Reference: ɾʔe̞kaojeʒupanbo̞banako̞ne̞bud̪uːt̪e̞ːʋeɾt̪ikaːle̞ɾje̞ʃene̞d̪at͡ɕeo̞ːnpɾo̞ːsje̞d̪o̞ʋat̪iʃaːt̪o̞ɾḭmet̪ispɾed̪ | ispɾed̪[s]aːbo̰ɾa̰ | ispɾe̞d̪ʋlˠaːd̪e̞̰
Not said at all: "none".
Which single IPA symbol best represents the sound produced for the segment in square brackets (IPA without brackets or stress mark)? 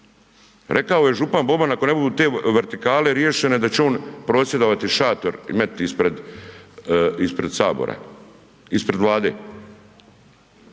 s